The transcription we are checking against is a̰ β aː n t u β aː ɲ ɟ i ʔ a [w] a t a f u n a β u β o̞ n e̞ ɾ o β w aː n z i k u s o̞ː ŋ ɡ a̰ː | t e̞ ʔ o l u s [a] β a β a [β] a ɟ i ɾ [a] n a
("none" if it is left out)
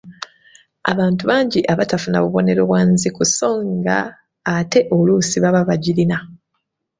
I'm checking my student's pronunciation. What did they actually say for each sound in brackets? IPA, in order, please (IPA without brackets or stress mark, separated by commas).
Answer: β, i, β, i